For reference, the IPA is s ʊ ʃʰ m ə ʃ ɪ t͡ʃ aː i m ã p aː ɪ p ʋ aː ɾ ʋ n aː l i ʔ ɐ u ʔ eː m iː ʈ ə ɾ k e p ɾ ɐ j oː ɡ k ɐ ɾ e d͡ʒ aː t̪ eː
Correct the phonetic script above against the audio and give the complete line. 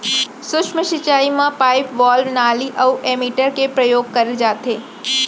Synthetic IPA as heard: s ʊ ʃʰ m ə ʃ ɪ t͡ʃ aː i m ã p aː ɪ p ʋ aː l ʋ n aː l i ʔ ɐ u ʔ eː m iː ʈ ə ɾ k e p ɾ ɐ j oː ɡ k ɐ ɾ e d͡ʒ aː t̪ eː